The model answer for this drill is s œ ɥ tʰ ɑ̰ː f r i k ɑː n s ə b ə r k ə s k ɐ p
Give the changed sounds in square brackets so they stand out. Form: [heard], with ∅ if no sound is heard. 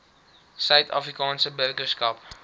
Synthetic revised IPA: s œ ɥ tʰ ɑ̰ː f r i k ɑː n s ə b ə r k ə s k ɐ p

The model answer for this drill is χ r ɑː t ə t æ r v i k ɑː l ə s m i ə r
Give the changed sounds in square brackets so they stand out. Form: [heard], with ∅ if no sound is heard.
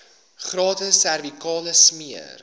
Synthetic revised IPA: χ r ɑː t ə [s] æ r v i k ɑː l ə s m i ə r

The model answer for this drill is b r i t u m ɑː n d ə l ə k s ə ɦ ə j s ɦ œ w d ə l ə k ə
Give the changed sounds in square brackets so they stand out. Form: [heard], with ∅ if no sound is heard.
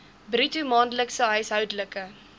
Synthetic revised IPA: b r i t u m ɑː n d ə l ə k s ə ɦ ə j s ɦ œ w d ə l ə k ə

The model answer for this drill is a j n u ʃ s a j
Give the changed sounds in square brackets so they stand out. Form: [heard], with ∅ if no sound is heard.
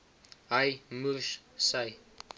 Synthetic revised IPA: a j [m] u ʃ s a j

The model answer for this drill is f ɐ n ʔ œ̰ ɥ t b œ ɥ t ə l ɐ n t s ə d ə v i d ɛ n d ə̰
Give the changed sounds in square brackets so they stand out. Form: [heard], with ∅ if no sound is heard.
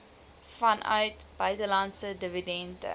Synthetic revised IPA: f ɐ n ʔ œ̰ ɥ t b œ ɥ t ə l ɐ n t s ə d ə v i d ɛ n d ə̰

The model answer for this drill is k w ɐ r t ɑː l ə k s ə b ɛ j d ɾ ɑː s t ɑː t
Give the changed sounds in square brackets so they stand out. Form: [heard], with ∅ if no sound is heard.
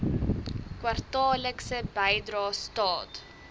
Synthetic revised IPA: k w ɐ r t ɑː l ə k s ə b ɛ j d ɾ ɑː s t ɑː t

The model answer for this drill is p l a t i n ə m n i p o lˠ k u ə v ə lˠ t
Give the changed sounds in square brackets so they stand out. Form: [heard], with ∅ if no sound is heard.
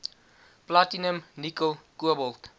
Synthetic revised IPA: p l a t i n ə m n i [k] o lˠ k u ə [b] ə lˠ t

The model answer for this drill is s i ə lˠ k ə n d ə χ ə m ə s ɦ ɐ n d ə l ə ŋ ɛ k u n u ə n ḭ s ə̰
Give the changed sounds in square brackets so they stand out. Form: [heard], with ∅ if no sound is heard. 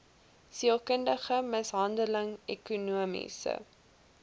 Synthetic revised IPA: s i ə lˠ k ə n d ə χ ə m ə s ɦ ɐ n d ə l ə ŋ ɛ k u n u ə [m] ḭ s ə̰

